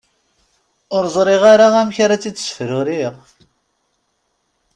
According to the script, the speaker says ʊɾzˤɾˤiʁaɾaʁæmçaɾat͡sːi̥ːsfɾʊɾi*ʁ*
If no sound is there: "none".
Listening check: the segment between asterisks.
ʁ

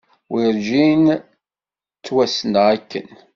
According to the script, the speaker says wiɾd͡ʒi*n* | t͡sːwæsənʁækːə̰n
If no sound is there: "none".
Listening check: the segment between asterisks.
n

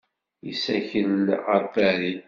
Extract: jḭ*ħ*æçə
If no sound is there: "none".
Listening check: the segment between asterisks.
s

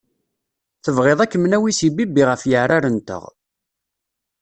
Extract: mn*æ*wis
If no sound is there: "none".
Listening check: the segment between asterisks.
æ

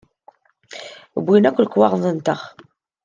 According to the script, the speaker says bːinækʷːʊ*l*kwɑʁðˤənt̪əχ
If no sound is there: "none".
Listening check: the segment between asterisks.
l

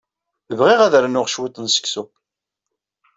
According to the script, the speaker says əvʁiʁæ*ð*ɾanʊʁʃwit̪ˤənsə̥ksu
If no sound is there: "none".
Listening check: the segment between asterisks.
ð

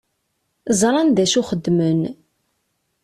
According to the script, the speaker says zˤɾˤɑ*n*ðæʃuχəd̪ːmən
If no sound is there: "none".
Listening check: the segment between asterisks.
n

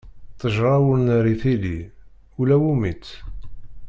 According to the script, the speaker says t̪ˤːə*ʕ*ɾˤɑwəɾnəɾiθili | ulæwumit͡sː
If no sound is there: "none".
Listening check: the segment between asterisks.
ʒ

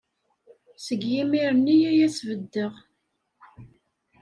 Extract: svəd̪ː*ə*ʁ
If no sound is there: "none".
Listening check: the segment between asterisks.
ə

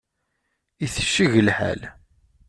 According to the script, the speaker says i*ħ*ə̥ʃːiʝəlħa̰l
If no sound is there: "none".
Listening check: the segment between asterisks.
θ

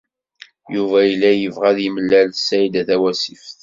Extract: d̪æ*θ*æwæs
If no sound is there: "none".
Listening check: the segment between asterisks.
θ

